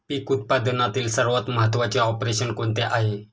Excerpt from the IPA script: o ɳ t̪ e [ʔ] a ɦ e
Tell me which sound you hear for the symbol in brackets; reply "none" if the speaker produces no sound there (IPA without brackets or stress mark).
ʔ